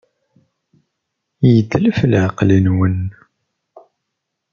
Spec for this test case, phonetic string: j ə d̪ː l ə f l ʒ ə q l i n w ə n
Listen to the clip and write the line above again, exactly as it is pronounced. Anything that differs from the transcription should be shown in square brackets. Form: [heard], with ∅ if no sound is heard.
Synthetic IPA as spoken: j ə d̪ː l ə f l [ʕ] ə q l i n w ə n